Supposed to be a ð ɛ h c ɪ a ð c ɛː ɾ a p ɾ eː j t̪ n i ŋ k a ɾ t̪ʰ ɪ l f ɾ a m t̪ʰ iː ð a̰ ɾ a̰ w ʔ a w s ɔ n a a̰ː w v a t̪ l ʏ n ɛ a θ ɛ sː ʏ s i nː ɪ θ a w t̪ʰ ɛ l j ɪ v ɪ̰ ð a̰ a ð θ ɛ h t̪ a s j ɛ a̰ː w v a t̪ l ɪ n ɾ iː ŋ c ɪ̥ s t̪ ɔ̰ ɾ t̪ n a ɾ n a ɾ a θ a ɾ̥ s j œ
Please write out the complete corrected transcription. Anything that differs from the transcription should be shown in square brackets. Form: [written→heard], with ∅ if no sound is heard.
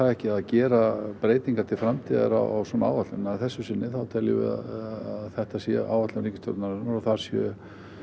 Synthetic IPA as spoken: a ð ɛ h c ɪ a ð c ɛː ɾ a p ɾ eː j t̪ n i ŋ k a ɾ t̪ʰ ɪ l f ɾ a m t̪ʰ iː ð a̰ ɾ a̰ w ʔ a w s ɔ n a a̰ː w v a t̪ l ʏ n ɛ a θ ɛ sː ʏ s [i→ɪ] nː ɪ θ a w t̪ʰ ɛ l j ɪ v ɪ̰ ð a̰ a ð θ ɛ h t̪ a s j ɛ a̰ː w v a t̪ l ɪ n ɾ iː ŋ c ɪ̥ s t̪ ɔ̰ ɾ t̪ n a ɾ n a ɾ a θ a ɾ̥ s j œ

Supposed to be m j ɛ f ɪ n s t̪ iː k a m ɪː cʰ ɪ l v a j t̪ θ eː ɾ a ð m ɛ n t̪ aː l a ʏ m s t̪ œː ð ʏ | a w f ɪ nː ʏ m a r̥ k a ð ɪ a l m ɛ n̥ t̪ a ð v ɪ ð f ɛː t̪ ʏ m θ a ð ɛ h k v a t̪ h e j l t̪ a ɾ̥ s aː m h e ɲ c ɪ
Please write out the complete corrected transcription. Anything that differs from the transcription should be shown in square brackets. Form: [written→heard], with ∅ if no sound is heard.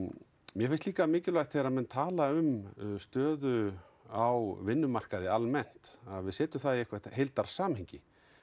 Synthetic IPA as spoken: m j ɛ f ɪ n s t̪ iː k a m ɪː [cʰ→c] ɪ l v a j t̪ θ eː ɾ a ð m ɛ n [t̪→t̪ʰ] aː l a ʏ m s t̪ œː ð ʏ | a w [f→v] ɪ nː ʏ m a r̥ k a ð ɪ a l m ɛ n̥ t̪ a ð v ɪ ð [f→s] ɛː t̪ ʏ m θ a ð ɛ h k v a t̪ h e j l t̪ a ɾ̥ s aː m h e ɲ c ɪ

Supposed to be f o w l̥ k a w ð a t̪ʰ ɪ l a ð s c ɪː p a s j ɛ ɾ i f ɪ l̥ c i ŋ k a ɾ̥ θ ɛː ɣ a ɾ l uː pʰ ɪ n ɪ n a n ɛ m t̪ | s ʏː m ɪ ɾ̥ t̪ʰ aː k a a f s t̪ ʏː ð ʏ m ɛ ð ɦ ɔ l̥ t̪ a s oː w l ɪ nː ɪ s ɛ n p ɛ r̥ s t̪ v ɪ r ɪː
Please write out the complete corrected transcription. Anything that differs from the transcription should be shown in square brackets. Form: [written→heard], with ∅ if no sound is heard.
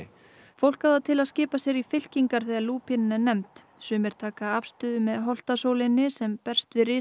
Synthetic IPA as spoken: f o w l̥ k a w ð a t̪ʰ ɪ l a ð s c ɪː p a s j ɛ ɾ i f ɪ l̥ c i ŋ k a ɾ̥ θ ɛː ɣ a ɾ l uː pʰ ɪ n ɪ n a n ɛ m t̪ | s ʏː m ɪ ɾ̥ t̪ʰ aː k a a f s t̪ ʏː ð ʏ m ɛ ð ɦ ɔ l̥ t̪ a s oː w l ɪ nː ɪ s ɛ [n→m] p ɛ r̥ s t̪ v ɪ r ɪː

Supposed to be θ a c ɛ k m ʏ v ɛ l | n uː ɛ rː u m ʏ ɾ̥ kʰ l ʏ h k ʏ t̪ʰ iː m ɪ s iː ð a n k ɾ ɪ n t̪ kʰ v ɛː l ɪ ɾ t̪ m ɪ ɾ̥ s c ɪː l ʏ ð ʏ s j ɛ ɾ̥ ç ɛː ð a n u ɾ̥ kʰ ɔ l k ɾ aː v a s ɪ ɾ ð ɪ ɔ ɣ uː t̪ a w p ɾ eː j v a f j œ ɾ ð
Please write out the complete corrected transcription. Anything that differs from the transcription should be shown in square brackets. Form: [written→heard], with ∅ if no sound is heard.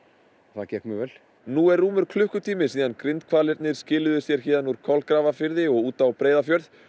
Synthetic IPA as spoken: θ a c ɛ k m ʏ v ɛ l | n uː ɛ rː [u→uː] m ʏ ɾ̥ kʰ l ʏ h k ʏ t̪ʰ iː m ɪ s iː ð a n k ɾ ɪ n t̪ kʰ v [ɛː→aː] l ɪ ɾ t̪ [m→n] ɪ ɾ̥ s c ɪː l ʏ ð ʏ s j ɛ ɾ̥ ç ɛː ð a n u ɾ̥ kʰ ɔ l k ɾ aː v a [s→f] ɪ ɾ ð ɪ ɔ ɣ uː t̪ a w p ɾ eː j [v→ð] a f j œ ɾ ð

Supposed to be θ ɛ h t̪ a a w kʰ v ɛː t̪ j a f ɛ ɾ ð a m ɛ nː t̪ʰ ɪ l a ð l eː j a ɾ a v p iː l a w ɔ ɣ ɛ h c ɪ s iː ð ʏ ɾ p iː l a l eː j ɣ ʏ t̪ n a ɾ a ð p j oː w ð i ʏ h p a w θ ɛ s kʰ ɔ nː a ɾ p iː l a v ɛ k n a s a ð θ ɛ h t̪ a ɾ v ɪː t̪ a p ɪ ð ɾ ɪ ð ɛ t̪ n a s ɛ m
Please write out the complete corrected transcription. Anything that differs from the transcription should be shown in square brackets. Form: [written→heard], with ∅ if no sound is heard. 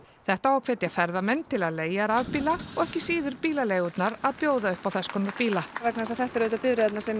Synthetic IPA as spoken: θ ɛ h t̪ a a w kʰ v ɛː t̪ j a f ɛ ɾ ð a m ɛ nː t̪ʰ ɪ l a ð l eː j a ɾ a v p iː l a [w→∅] ɔ ɣ ɛ h c ɪ s iː ð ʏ ɾ p iː l a l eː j ɣ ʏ t̪ n a ɾ a ð p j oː w ð [i→a] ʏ h p a w θ ɛ s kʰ ɔ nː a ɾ p iː l a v ɛ k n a s a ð θ ɛ h t̪ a ɾ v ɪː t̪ a p ɪ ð ɾ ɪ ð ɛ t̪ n a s ɛ m

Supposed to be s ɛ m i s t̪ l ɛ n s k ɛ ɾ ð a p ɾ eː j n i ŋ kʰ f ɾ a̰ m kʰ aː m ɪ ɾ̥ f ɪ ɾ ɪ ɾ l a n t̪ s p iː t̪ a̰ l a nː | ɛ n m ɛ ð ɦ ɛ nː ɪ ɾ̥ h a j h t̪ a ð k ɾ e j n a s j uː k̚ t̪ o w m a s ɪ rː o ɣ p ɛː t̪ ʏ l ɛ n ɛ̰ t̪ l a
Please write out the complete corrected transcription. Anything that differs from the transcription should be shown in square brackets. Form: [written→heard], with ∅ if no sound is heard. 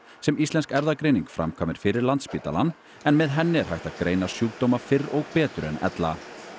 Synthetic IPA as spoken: s ɛ m i s t̪ l ɛ n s k ɛ ɾ ð a [p→k] ɾ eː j n i ŋ [kʰ→k] f ɾ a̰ m kʰ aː m ɪ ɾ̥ f ɪ ɾ ɪ ɾ l a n t̪ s p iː t̪ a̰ l a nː | ɛ n m ɛ ð ɦ ɛ nː ɪ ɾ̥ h a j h t̪ a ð k ɾ e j n a s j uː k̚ t̪ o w m a [s→f] ɪ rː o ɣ p ɛː t̪ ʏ [l→ɾ] ɛ n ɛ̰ t̪ l a

